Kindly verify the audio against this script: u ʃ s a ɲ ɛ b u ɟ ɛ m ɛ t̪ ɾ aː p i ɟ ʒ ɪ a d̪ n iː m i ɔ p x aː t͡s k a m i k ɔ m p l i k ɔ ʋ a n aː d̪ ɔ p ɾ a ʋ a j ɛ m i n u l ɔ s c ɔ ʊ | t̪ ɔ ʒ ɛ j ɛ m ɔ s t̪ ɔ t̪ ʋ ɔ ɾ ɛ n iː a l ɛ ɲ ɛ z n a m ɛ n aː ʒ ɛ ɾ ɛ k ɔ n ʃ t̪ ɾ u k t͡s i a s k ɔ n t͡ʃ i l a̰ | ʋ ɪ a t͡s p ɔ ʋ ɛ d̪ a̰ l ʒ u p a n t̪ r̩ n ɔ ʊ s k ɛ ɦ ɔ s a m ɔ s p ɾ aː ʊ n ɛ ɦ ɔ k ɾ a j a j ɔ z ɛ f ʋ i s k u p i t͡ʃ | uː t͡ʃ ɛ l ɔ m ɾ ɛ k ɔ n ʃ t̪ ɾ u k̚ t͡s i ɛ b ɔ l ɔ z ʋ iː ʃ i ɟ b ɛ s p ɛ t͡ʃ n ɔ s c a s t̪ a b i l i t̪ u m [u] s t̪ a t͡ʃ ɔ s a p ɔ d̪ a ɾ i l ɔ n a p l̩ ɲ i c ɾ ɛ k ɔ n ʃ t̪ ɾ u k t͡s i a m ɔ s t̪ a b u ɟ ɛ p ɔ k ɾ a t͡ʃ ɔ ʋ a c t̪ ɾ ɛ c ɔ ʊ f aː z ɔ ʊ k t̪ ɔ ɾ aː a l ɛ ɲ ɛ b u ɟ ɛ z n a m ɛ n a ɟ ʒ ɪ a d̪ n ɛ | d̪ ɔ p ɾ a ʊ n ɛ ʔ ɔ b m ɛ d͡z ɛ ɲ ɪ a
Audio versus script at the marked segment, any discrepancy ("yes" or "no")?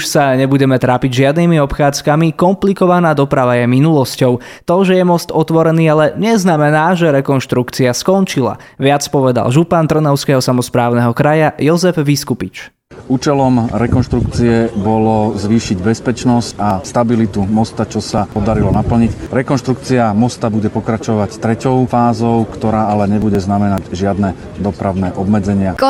yes